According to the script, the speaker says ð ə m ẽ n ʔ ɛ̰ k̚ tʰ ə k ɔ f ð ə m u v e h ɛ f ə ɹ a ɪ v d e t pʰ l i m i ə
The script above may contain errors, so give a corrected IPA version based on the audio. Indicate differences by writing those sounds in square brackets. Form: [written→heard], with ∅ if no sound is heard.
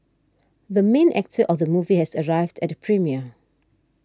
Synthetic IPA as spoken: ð ə m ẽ n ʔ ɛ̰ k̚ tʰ ə [k→ʔ] ɔ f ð ə m u v [e→i] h ɛ [f→s] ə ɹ a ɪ v d [e→ɛ] t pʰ [l→ɹ] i m i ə